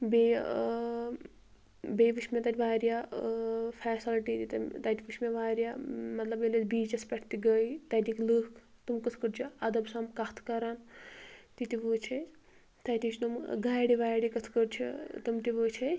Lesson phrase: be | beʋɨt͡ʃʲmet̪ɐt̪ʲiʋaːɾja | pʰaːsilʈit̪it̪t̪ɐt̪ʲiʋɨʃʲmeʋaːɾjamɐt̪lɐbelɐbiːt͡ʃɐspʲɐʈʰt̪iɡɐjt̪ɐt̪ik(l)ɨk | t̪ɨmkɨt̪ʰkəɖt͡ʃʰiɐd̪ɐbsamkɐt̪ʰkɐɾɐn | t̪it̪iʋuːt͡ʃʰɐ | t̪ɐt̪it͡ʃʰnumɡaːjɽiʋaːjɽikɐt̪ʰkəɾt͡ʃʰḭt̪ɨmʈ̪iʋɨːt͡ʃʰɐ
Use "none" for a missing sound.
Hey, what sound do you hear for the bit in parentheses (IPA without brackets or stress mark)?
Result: l